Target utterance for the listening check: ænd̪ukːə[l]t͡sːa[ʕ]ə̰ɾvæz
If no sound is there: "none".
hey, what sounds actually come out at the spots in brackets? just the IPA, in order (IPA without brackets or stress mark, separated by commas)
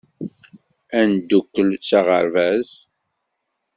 l, ʁ